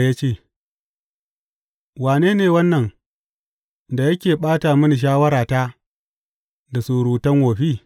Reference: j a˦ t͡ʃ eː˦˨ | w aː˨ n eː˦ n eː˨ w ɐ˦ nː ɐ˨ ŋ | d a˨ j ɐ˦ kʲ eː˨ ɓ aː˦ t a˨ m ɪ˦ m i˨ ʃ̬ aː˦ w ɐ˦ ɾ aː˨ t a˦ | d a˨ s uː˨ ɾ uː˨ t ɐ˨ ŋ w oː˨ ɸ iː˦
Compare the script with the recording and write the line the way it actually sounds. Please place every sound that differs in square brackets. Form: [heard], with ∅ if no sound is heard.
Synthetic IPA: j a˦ t͡ʃ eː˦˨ | w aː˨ n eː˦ n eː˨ w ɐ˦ nː ɐ˨ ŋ | d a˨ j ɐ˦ kʲ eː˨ ɓ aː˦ t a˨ m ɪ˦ [n] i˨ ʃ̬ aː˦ w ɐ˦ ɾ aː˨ t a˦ | d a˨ s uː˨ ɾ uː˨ t [ɐ˦] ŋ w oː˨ ɸ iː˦